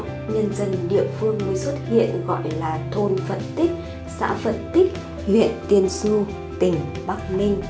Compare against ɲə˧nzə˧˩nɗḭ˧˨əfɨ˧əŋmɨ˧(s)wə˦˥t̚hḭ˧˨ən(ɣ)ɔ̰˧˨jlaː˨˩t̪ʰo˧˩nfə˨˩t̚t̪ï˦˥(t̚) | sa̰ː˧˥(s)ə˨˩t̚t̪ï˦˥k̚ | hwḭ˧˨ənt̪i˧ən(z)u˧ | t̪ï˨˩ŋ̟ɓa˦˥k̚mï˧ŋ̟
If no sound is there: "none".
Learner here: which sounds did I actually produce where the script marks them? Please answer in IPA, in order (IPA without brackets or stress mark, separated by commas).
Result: s, ɣ, k̚, f, s